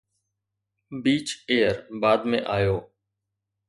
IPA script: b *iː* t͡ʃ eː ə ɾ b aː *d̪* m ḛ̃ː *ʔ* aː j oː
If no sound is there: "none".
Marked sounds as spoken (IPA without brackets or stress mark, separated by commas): iː, d̪, ʔ